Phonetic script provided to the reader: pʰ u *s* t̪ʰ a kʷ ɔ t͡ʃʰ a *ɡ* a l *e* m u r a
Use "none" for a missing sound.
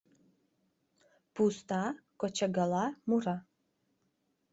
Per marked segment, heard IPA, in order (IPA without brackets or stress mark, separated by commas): s, ɡ, a